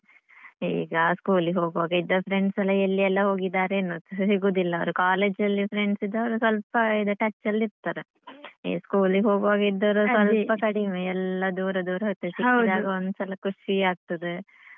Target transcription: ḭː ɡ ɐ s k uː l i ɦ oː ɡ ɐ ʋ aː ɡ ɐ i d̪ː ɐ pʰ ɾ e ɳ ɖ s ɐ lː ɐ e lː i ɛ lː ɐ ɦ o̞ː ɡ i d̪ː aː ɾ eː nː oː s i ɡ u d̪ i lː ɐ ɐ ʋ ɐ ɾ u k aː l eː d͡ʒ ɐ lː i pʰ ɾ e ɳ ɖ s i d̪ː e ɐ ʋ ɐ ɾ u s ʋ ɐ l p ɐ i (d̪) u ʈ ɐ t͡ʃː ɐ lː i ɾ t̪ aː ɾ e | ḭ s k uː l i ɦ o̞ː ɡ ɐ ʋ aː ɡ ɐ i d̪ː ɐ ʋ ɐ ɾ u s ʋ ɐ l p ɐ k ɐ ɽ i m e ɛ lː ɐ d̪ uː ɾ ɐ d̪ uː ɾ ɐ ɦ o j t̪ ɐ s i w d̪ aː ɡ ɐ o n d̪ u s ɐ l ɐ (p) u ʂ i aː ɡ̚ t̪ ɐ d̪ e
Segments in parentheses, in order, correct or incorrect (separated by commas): correct, incorrect